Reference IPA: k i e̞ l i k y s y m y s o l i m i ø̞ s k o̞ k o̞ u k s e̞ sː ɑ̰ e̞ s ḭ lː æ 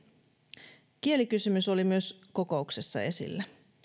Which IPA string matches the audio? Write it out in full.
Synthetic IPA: k i e̞ l i k y s y m y s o l i m y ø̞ s k o̞ k o̞ u k s e̞ sː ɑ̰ e̞ s ḭ lː æ